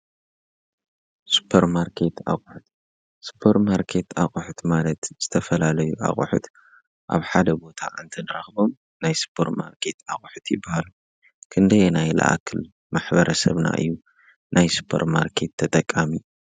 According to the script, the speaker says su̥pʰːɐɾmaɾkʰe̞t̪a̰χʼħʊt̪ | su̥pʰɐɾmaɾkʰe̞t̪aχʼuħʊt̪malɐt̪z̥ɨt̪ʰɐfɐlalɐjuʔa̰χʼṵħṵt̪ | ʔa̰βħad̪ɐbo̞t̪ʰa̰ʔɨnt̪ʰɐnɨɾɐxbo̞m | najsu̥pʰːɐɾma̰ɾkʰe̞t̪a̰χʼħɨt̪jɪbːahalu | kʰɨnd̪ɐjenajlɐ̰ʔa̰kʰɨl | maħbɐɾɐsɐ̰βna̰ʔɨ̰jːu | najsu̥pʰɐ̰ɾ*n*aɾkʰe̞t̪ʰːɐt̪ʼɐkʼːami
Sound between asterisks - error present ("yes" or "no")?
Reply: yes